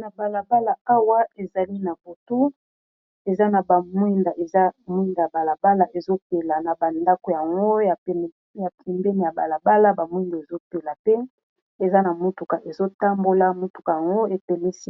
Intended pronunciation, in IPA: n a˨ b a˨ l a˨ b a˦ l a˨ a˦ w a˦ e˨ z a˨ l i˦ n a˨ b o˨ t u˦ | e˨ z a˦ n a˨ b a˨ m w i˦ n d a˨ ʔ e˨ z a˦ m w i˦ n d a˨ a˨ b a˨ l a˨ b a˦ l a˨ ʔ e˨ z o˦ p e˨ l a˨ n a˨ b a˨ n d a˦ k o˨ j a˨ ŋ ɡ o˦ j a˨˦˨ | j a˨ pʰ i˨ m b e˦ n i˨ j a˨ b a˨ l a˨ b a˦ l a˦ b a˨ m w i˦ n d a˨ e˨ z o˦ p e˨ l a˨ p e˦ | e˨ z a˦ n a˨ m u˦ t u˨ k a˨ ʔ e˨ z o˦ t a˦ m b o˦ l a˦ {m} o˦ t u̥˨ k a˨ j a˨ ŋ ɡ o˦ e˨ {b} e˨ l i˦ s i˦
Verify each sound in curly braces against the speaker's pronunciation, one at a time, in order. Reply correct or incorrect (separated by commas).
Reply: correct, incorrect